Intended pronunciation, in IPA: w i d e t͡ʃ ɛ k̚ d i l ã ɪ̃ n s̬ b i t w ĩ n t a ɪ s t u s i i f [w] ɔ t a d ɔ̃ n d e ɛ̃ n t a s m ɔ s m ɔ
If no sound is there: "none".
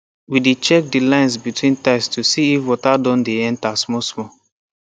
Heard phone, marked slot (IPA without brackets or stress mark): w